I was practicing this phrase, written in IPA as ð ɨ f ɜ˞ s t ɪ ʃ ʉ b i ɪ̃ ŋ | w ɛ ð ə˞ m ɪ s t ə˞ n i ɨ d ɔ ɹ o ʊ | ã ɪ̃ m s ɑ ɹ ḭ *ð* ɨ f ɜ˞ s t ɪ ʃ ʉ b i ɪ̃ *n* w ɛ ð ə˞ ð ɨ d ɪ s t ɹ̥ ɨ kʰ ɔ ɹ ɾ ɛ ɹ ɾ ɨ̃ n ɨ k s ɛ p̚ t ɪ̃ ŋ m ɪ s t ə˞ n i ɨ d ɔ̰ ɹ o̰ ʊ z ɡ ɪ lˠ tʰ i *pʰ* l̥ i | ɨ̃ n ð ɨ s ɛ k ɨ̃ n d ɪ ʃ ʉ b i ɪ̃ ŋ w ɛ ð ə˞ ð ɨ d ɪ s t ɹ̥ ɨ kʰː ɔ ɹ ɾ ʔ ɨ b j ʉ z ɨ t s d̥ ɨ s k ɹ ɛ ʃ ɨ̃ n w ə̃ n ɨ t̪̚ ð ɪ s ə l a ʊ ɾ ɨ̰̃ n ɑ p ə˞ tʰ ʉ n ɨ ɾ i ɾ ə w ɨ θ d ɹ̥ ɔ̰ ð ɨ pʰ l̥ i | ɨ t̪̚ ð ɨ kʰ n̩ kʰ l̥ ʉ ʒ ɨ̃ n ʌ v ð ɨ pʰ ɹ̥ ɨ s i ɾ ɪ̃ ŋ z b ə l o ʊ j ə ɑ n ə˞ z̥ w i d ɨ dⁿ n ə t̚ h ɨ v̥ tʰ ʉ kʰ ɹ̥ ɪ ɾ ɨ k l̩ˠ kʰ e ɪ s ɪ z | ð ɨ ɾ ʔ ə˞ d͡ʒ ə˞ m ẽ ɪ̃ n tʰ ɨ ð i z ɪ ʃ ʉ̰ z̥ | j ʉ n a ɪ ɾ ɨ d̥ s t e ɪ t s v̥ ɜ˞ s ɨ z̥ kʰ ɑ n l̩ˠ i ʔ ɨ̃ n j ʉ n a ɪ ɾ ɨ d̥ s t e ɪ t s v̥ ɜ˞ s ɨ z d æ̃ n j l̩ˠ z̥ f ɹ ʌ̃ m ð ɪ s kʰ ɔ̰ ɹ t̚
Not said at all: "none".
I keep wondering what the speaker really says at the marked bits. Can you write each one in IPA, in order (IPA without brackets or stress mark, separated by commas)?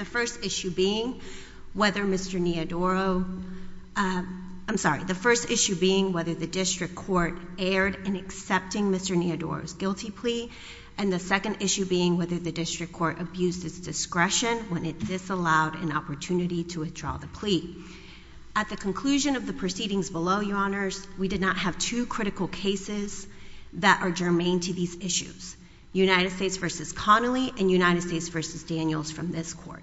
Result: ð, ŋ, pʰ